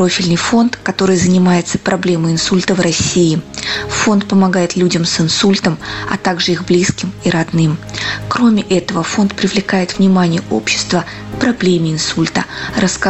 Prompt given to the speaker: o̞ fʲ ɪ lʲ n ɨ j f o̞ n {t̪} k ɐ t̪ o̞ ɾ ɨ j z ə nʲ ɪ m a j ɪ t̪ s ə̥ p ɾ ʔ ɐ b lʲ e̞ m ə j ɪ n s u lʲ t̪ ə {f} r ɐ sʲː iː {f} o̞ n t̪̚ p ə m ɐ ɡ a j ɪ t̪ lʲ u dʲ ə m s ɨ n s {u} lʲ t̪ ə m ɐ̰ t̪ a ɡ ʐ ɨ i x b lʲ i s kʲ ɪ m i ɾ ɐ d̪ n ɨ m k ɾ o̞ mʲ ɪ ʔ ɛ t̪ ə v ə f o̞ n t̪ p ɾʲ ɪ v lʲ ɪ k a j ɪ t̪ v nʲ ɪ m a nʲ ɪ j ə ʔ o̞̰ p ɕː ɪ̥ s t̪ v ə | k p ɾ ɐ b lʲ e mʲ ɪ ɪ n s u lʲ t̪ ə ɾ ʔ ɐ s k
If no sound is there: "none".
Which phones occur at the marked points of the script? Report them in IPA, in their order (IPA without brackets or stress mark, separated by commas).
t̪, v, f, u